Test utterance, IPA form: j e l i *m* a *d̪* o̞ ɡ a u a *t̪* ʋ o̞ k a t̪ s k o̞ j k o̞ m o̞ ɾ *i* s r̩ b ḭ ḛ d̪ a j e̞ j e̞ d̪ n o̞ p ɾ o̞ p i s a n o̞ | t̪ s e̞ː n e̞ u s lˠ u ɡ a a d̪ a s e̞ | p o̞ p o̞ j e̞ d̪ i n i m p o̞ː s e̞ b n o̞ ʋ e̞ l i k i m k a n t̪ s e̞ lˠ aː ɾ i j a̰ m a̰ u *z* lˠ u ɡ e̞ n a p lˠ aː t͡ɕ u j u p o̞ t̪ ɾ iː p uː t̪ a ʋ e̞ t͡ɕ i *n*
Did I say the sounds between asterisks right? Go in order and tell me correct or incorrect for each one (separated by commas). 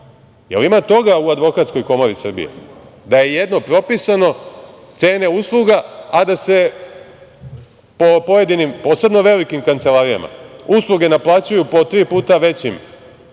correct, incorrect, incorrect, correct, incorrect, incorrect